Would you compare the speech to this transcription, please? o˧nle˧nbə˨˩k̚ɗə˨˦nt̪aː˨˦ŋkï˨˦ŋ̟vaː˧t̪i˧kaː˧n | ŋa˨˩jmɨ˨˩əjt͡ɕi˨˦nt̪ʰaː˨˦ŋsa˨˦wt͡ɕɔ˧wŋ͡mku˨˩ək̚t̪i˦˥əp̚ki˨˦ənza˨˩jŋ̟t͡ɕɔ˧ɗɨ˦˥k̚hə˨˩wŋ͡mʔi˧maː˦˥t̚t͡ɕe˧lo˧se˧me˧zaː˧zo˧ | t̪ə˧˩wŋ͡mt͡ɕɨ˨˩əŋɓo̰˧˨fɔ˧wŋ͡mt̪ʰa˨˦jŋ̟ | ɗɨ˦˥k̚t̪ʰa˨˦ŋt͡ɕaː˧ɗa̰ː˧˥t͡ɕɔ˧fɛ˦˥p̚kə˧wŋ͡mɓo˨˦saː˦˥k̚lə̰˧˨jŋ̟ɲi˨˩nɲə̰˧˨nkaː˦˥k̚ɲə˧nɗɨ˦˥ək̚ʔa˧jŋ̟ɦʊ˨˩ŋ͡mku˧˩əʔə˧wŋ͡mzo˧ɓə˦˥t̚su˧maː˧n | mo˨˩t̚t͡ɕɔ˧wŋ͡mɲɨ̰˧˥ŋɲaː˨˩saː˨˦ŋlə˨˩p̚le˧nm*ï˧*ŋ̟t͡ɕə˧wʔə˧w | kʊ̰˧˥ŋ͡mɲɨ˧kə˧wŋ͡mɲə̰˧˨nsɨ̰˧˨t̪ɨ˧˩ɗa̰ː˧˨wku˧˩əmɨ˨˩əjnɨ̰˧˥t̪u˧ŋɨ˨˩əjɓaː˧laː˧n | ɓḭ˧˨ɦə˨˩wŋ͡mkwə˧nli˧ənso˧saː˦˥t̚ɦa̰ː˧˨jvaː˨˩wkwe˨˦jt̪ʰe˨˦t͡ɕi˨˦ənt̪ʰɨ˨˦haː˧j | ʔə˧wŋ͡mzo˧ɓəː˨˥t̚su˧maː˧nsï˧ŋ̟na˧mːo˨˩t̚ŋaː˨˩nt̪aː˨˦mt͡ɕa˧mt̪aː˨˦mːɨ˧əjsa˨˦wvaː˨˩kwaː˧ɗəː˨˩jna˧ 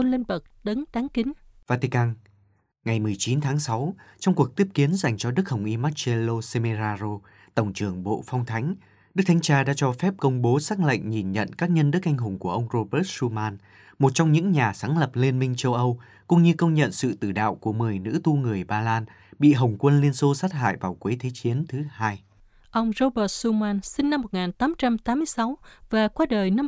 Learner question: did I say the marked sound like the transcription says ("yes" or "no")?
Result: yes